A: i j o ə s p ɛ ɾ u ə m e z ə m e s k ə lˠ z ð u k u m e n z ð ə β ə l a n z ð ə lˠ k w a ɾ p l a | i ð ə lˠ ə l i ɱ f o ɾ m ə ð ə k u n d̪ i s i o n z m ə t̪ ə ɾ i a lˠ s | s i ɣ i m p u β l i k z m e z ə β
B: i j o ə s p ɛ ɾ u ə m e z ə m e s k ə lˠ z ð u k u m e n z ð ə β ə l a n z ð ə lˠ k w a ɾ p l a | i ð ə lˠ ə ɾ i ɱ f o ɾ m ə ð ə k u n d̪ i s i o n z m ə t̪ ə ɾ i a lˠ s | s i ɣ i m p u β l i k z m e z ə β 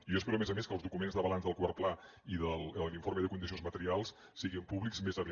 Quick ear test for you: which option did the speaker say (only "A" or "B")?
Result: A